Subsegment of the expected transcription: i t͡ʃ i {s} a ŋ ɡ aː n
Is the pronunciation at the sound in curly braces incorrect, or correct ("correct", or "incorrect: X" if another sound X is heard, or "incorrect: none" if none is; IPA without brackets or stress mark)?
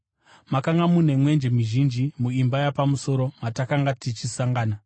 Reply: correct